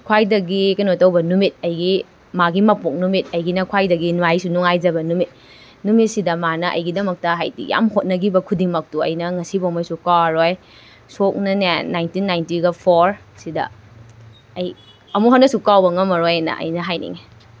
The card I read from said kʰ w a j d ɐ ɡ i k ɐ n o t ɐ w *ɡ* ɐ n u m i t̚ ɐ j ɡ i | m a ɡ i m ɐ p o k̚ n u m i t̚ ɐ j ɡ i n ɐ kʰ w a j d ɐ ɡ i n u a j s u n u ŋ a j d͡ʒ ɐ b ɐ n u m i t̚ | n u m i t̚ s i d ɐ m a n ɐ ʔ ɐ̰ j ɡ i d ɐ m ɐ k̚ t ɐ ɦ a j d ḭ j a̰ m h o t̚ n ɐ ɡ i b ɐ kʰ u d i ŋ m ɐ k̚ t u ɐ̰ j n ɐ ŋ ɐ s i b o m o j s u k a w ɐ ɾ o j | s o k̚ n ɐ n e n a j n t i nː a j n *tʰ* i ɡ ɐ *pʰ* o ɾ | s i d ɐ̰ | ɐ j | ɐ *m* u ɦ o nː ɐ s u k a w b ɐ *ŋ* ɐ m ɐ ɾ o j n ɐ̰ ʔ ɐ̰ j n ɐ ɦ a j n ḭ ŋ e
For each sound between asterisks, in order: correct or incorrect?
incorrect, incorrect, correct, correct, correct

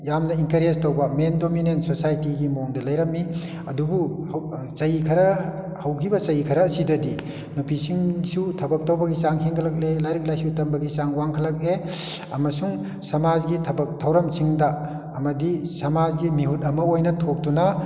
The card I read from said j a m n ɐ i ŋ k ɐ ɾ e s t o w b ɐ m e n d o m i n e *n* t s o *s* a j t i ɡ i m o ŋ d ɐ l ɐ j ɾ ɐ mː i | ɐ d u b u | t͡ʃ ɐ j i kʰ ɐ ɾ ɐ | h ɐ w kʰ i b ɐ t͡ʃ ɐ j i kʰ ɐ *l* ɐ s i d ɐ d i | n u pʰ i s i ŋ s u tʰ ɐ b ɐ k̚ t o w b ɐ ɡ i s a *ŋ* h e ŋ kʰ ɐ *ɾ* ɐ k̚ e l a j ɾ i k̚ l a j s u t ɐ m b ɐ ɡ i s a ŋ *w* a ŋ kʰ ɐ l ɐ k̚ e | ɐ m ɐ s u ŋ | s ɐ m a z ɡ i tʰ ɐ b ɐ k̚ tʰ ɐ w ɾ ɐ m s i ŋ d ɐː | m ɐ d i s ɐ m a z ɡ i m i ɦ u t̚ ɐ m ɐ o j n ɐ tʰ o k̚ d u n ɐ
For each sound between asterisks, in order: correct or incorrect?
correct, correct, incorrect, correct, incorrect, correct

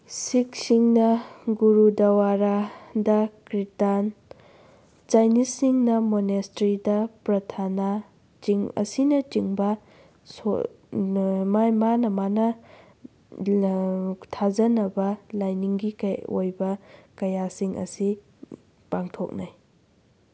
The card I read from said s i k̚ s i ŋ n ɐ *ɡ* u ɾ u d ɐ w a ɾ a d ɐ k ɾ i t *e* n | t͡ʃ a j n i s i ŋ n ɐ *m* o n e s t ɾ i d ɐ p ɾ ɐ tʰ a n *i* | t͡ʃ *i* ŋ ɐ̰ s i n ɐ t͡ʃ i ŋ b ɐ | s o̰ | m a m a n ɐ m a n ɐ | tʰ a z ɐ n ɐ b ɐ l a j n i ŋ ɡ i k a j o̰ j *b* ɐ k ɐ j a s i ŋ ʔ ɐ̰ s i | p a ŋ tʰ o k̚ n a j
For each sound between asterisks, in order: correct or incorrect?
correct, incorrect, correct, incorrect, correct, correct

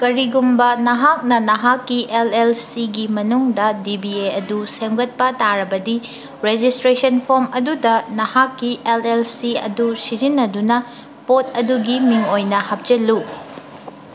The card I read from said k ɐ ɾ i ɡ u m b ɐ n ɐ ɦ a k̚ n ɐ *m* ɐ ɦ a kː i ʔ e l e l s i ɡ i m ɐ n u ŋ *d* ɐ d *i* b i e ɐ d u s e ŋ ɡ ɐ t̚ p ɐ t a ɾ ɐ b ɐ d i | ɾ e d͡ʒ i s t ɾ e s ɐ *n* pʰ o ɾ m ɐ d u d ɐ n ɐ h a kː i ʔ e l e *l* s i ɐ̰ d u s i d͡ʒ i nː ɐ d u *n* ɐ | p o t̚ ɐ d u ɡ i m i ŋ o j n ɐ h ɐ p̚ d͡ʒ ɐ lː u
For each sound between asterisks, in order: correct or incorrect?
incorrect, correct, correct, correct, correct, correct

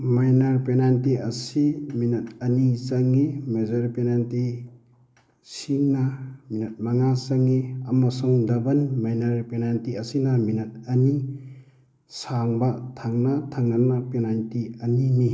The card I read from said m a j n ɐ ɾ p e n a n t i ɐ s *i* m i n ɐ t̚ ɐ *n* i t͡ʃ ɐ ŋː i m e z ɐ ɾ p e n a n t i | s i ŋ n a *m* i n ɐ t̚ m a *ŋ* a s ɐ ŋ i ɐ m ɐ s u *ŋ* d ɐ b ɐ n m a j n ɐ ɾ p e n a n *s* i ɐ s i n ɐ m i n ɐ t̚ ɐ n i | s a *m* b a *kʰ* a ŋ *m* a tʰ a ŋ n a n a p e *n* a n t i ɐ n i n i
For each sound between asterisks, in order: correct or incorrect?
correct, correct, correct, correct, correct, incorrect, incorrect, incorrect, incorrect, correct

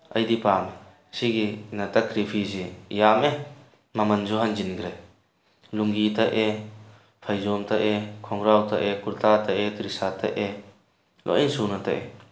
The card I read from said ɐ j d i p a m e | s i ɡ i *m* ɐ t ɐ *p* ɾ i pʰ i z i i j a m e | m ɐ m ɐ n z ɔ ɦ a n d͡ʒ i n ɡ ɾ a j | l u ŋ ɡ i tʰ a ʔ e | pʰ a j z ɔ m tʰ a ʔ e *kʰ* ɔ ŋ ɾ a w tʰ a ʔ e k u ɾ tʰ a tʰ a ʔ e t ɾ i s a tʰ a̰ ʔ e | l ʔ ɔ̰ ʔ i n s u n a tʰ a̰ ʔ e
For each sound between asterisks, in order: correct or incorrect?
incorrect, incorrect, correct

